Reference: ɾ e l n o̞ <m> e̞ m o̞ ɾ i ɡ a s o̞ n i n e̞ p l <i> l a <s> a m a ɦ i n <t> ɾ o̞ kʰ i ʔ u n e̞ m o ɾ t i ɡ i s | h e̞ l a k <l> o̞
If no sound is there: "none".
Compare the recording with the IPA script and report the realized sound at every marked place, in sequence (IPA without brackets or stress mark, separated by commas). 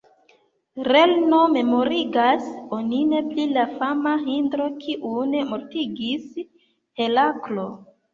m, i, f, d, l